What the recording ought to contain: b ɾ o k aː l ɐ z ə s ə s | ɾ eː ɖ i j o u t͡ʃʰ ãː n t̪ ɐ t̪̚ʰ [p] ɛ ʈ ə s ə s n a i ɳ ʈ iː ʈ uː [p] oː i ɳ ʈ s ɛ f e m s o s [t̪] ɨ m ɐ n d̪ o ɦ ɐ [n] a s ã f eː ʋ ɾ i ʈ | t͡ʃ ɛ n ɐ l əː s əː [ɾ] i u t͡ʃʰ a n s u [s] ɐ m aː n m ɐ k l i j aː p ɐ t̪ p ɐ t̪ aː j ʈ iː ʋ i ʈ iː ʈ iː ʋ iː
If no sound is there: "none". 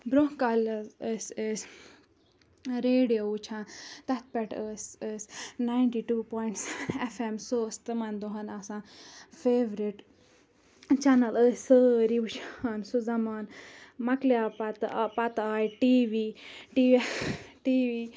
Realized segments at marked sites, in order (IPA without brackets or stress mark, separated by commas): p, p, t̪, n, ɾ, z